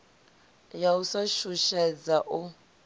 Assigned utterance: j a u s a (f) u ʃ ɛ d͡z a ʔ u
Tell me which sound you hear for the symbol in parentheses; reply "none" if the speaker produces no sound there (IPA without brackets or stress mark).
ʃ